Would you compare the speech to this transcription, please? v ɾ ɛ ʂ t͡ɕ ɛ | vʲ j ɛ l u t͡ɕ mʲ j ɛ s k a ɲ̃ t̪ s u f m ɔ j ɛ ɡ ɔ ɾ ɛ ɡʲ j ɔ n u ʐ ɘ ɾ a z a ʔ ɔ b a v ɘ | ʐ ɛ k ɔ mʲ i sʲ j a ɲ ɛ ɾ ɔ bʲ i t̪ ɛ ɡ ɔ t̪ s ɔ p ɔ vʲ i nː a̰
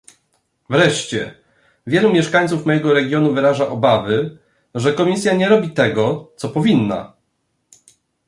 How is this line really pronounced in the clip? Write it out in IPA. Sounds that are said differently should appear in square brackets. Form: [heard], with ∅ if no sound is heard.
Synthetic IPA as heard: v ɾ ɛ ʂ t͡ɕ ɛ | vʲ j ɛ l u [∅] mʲ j ɛ [ʂ] k a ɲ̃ t̪ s u f m ɔ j ɛ ɡ ɔ ɾ ɛ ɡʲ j ɔ n u [v] ɘ ɾ a [ʐ] a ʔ ɔ b a v ɘ | ʐ ɛ k ɔ mʲ i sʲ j a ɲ ɛ ɾ ɔ bʲ i t̪ ɛ ɡ ɔ t̪ s ɔ p ɔ vʲ i nː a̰